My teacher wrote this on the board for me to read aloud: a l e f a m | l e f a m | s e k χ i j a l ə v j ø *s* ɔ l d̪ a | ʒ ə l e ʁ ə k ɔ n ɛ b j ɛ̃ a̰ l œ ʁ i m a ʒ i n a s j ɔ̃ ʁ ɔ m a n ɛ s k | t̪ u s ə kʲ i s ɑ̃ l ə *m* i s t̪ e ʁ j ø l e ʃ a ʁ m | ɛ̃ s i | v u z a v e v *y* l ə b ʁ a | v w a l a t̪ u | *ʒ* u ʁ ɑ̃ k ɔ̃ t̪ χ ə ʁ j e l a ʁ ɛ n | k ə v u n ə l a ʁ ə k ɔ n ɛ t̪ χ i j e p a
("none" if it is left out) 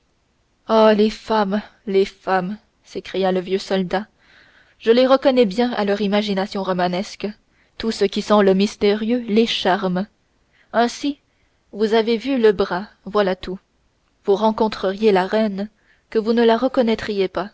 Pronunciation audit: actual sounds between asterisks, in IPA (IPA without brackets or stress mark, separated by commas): s, m, y, v